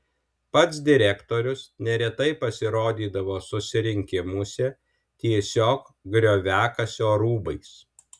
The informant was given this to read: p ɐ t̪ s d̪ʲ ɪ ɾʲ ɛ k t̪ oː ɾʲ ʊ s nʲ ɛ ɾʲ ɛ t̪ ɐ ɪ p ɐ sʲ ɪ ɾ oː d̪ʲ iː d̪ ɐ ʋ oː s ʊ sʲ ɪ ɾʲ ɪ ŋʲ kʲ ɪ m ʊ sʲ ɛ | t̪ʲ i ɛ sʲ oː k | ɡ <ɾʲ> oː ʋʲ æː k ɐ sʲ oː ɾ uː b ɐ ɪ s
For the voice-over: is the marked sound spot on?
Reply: yes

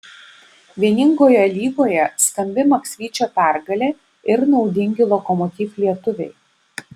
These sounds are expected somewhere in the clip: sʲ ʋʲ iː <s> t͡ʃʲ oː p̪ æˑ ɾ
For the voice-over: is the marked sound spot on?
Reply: no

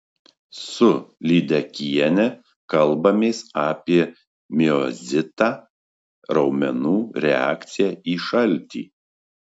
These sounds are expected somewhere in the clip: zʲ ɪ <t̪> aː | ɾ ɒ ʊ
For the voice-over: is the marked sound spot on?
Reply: yes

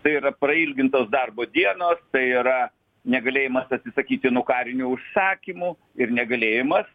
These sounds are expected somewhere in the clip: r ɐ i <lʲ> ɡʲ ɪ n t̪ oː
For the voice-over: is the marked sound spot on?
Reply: yes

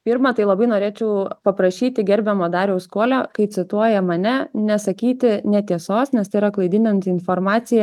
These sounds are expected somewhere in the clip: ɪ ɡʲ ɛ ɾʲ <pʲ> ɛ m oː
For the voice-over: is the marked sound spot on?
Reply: no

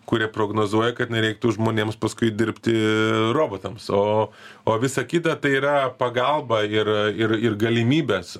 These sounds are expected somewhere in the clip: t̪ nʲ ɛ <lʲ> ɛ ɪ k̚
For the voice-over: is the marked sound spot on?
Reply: no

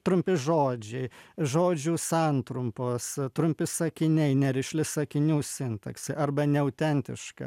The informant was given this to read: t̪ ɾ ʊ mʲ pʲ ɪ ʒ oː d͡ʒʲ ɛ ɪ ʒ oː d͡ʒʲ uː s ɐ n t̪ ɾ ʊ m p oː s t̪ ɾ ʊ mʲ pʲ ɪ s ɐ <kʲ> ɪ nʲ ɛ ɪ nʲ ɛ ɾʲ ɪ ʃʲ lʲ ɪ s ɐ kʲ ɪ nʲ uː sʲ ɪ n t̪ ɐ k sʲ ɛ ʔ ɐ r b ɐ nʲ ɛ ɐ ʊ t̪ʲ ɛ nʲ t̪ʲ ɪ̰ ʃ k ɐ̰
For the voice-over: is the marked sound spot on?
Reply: yes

